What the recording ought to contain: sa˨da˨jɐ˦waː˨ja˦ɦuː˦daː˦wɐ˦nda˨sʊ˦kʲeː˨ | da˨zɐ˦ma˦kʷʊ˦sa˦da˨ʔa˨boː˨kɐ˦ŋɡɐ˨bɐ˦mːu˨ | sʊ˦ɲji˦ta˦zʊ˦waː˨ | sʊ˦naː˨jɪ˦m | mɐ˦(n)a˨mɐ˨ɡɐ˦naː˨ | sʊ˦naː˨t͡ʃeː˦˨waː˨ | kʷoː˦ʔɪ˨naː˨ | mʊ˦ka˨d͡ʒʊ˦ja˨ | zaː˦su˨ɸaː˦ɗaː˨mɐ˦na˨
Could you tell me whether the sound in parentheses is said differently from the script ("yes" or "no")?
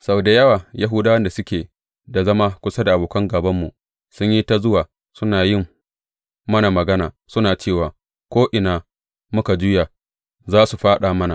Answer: no